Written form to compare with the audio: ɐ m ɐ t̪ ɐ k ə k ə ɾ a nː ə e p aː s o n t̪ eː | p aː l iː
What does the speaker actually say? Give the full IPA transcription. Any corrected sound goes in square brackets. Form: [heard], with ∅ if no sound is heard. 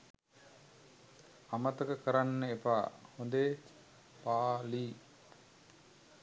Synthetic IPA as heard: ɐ m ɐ t̪ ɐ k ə k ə ɾ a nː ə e p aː [h] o n [d̪] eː | p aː l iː